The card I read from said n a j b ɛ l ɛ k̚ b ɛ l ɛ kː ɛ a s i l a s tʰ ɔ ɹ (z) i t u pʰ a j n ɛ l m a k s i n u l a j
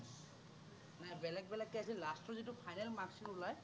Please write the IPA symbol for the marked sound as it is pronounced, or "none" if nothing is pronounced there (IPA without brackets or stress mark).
z